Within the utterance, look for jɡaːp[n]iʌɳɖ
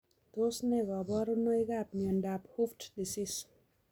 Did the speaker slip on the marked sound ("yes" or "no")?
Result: no